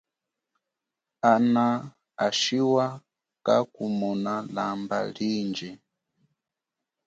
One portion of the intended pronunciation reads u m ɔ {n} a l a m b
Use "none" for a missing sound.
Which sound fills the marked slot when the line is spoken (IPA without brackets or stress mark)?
n